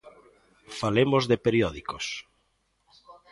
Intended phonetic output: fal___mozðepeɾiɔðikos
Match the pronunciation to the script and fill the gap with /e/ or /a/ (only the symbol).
e